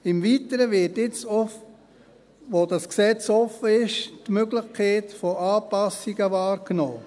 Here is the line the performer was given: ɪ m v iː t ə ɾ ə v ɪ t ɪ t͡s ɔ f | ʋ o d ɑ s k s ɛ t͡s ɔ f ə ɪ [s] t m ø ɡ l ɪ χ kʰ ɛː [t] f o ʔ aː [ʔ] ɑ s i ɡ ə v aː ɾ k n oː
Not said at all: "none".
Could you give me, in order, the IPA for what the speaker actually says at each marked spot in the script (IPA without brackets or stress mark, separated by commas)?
ʃ, t, p